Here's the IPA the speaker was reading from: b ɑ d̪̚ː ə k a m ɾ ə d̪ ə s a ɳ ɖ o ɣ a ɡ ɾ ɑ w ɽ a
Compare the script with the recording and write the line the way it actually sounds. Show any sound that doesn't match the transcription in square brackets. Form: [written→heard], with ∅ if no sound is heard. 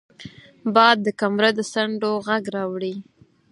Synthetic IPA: b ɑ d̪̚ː ə k a m ɾ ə d̪ ə s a ɳ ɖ o ɣ a ɡ ɾ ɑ w ɽ [a→i]